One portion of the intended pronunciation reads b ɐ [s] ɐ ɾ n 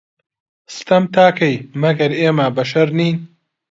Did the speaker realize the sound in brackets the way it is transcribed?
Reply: no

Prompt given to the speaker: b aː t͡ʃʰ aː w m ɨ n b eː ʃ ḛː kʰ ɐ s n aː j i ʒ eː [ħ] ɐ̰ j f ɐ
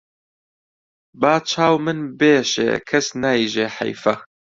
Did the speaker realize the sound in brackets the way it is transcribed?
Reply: yes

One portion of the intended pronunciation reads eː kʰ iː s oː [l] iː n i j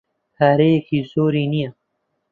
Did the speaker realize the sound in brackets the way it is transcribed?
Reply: no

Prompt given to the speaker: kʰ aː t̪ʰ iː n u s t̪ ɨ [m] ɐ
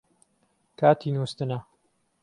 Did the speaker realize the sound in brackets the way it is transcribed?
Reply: no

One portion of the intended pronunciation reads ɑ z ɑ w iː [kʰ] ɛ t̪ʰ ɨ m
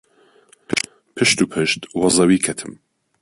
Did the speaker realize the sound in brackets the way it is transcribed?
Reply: yes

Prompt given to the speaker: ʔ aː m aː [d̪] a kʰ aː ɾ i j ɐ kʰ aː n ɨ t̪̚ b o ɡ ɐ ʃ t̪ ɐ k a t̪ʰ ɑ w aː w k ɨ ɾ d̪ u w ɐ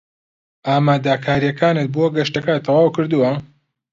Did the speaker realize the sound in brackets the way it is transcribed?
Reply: yes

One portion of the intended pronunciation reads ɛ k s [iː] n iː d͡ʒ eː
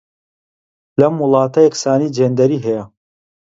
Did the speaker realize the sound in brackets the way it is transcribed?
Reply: no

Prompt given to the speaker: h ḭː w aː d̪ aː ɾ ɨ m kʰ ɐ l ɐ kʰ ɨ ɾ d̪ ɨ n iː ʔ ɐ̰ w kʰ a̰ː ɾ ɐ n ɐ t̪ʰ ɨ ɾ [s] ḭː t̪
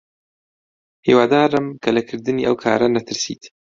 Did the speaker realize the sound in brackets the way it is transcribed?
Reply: yes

